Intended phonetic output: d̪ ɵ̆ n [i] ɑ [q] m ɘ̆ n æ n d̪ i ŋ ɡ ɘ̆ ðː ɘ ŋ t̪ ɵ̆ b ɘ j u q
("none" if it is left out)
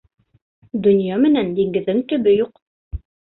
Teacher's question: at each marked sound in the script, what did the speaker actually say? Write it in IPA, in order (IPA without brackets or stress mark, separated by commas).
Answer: j, none